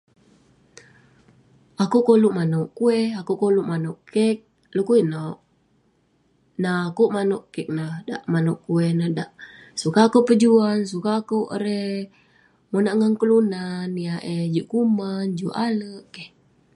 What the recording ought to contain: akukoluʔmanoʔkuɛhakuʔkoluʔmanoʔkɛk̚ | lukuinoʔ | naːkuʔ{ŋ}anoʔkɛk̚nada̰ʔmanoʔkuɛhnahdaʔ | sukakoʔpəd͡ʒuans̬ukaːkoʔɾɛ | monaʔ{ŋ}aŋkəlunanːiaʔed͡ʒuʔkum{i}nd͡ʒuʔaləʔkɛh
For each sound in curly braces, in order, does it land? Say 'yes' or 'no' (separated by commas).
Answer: no, yes, no